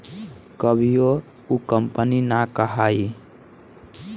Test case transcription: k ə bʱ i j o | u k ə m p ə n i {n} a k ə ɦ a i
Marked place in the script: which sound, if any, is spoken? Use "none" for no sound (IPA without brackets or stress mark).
n